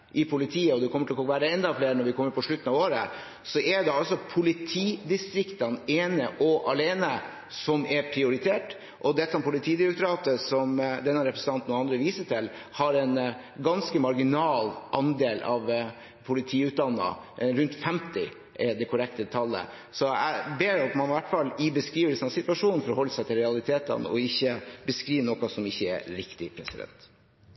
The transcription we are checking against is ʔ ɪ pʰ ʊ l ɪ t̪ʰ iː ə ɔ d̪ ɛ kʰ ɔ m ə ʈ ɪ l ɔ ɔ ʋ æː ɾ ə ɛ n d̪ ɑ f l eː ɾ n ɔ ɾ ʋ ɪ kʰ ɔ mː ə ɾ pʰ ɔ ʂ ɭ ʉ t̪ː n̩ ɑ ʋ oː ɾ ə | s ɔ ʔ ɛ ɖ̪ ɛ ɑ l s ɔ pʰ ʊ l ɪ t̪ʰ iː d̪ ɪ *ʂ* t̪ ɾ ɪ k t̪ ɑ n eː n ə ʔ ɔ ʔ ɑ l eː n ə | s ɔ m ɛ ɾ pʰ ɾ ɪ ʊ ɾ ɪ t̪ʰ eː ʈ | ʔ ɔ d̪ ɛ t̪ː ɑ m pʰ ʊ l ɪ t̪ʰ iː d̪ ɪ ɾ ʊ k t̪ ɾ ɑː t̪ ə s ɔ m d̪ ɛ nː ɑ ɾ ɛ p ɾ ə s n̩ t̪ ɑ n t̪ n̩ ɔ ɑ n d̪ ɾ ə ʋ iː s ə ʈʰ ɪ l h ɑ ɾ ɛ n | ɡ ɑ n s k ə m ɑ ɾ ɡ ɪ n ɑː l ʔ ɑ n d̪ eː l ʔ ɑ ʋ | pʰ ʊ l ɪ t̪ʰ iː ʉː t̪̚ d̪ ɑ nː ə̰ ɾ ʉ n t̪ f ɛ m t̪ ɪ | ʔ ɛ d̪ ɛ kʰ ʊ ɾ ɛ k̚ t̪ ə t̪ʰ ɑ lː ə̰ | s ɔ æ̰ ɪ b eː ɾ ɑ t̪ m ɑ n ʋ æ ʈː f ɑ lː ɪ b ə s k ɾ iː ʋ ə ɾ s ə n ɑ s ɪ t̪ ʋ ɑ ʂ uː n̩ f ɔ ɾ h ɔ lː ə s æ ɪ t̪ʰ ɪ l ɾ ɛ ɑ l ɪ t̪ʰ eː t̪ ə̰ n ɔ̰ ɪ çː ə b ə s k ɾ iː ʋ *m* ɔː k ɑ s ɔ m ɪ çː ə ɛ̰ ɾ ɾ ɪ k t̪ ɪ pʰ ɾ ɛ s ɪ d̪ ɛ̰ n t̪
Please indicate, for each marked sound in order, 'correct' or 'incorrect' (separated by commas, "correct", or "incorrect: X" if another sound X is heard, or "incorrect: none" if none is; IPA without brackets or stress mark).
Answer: incorrect: s, incorrect: n